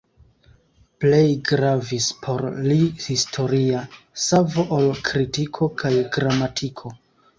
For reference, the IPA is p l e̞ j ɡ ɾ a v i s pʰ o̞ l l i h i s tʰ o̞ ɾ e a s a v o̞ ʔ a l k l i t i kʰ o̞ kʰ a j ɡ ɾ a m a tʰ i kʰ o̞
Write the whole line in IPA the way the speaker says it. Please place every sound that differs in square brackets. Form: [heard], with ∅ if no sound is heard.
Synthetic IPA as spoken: p l e̞ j ɡ ɾ a v i s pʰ o̞ [ɾ] l i h i s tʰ o̞ ɾ [i] a s a v o̞ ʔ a l k [ɾ] i t i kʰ o̞ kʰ a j ɡ ɾ a m a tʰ i kʰ o̞